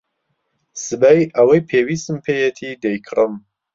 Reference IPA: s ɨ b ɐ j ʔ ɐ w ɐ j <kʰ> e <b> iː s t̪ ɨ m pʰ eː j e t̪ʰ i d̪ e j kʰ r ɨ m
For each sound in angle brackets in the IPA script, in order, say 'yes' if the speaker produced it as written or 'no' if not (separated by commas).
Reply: no, no